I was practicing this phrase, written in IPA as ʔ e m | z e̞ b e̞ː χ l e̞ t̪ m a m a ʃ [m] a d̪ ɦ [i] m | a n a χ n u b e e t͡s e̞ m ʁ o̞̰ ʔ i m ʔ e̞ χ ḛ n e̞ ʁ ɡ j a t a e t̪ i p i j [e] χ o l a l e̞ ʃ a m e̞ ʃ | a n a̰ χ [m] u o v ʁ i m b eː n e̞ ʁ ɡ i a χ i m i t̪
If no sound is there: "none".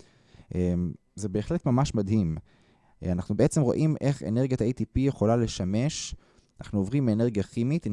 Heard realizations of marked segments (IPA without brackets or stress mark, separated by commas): m, i, e, n